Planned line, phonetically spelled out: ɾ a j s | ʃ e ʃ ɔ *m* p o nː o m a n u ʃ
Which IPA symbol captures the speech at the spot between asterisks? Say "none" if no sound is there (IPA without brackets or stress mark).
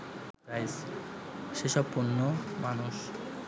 b